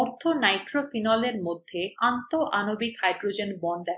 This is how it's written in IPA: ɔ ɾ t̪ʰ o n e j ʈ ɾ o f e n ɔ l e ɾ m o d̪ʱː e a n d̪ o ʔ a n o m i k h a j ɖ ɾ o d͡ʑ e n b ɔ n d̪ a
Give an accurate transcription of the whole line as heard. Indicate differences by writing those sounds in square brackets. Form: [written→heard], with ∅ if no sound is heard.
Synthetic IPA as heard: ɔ ɾ t̪ʰ o n [e→a] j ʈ ɾ o f [e→i] n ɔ l e ɾ m o d̪ʱː e a n [d̪→t̪] o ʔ a n o [m→b] i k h a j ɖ ɾ o d͡ʑ e n b ɔ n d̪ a